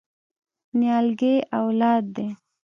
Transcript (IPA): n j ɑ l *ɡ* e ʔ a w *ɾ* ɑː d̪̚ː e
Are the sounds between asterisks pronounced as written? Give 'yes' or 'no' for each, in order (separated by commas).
yes, no